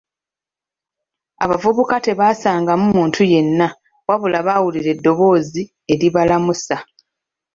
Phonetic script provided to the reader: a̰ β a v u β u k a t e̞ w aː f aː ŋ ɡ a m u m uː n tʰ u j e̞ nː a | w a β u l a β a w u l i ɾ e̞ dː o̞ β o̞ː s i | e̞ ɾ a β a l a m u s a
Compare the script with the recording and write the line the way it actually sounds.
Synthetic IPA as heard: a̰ β a v u β u k a t e̞ β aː s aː ŋ ɡ a m u m uː n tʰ u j e̞ nː a | w a β u l a β a w u l i ɾ e̞ dː o̞ β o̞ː z i | e̞ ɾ i β a l a m u s a